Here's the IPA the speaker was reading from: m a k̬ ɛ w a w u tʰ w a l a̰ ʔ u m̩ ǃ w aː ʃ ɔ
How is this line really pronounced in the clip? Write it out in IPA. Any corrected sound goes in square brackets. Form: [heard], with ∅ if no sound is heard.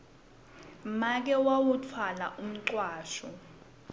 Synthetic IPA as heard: m a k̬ ɛ w a w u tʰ w a l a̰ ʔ u m̩ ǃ w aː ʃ ɔ